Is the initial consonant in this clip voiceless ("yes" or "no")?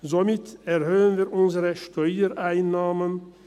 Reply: no